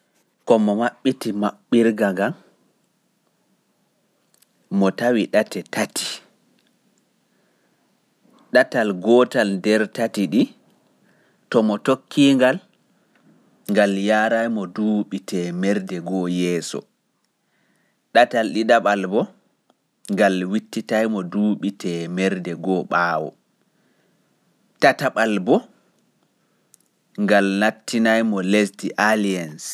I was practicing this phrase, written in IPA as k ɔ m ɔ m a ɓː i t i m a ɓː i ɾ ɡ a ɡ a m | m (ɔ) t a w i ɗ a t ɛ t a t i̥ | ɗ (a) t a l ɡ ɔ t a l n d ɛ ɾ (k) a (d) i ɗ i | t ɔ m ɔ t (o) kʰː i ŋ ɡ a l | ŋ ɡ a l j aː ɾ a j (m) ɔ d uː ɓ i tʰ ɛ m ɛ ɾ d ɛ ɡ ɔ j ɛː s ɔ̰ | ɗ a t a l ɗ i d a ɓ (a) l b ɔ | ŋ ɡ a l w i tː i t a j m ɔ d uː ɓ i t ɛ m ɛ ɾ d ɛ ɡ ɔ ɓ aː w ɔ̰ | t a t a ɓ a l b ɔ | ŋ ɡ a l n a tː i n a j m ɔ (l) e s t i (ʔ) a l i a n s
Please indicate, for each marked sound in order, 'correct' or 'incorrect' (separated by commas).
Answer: correct, correct, incorrect, incorrect, correct, correct, correct, correct, correct